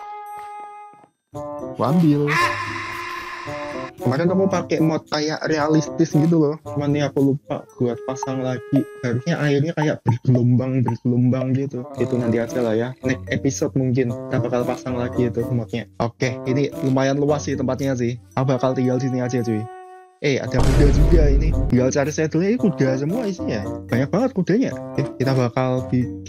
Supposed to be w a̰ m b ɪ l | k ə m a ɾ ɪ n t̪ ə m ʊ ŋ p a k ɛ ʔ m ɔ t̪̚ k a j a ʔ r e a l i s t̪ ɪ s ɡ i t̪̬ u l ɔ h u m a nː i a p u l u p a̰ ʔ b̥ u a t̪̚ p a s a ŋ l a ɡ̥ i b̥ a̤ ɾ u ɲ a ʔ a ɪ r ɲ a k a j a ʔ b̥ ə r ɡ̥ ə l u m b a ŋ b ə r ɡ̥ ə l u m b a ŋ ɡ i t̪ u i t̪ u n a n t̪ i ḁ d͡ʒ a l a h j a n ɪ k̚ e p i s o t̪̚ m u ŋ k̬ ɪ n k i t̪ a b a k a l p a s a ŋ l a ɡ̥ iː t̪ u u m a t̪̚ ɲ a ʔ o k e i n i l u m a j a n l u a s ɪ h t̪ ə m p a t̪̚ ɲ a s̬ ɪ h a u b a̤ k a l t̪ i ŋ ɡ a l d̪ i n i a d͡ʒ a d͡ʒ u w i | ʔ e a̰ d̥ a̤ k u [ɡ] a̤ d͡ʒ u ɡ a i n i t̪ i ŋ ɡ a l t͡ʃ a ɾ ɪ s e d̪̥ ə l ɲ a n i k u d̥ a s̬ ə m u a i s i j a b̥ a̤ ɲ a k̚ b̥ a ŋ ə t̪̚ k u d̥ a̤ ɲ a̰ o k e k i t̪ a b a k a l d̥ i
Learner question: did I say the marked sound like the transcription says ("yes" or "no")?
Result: no